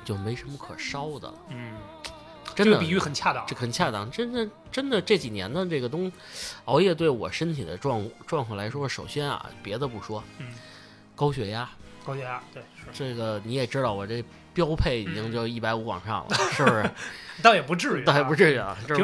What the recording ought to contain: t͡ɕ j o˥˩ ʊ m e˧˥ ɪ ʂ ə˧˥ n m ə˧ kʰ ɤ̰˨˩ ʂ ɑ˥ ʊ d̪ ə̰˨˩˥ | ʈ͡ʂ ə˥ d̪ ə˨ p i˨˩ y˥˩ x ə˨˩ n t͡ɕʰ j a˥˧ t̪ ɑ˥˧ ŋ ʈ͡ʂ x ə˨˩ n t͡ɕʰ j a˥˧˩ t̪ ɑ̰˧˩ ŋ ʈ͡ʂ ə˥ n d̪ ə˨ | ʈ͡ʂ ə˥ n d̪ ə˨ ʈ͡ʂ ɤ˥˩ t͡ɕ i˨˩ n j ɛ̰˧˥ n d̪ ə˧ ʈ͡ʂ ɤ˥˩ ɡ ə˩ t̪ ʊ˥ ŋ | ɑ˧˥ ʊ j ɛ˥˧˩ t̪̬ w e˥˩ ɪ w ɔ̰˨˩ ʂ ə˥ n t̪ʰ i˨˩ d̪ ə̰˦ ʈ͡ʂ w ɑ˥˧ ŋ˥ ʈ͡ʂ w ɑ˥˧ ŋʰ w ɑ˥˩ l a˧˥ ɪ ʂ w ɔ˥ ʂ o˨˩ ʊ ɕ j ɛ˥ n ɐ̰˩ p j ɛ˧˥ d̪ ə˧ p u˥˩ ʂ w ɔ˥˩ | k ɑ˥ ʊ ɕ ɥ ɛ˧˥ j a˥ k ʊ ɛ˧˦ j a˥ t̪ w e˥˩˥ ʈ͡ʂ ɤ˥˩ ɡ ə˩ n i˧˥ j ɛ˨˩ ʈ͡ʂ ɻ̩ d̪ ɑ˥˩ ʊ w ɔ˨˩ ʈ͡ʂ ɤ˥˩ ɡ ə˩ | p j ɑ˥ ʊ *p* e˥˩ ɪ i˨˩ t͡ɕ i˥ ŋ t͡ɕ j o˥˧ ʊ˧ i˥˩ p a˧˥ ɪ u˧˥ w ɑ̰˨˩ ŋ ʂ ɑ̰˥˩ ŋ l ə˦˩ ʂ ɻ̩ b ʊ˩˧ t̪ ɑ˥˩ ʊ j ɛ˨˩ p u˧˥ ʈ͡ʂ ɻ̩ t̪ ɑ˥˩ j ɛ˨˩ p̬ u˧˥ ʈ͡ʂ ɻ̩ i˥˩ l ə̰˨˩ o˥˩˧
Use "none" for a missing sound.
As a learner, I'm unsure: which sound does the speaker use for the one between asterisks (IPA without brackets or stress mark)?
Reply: pʰ